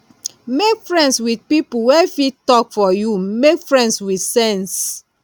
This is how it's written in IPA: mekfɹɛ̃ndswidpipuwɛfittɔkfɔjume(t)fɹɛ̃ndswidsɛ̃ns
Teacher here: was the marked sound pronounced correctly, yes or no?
no